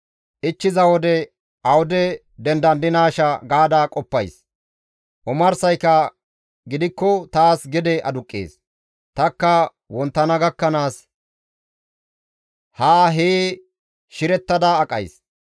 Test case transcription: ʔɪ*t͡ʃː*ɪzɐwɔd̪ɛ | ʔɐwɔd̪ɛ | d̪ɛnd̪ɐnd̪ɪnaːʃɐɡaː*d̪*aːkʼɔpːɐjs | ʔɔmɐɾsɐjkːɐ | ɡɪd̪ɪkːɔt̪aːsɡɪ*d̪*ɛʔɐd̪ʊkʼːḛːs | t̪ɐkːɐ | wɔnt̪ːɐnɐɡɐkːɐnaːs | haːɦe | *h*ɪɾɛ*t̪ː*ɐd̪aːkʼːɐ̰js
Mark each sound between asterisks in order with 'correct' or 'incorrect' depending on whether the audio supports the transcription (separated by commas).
correct, correct, correct, incorrect, correct